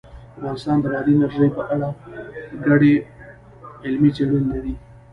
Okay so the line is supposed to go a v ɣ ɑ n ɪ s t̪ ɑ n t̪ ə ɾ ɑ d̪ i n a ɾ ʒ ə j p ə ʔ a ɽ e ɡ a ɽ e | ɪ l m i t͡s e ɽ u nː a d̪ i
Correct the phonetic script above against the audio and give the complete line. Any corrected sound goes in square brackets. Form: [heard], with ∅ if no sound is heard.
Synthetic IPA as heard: a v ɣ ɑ n ɪ s t̪ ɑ n [d̪] ə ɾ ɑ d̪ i n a ɾ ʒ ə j p ə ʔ a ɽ [a] ɡ a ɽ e | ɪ l m i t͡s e ɽ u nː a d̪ i